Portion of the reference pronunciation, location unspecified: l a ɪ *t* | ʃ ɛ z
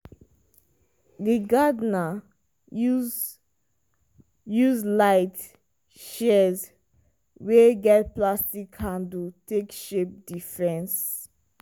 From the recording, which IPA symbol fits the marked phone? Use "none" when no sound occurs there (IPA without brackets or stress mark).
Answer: t